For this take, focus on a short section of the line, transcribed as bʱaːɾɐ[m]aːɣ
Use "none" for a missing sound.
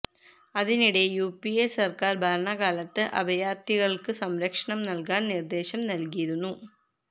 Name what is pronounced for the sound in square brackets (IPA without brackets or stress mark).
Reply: ɳ